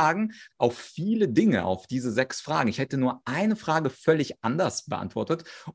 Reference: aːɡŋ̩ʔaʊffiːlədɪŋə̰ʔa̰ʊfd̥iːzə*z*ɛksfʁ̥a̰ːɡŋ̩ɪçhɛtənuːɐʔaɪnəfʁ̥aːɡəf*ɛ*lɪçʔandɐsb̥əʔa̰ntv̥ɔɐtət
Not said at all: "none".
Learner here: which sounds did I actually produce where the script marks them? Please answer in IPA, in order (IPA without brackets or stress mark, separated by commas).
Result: z, œ